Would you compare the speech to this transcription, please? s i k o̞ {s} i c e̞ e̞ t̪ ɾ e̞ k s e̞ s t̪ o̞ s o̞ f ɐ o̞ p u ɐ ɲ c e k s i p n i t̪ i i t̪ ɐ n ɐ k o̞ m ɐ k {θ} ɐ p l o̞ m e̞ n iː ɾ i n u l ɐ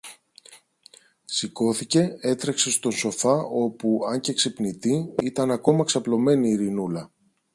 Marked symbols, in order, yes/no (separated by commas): no, no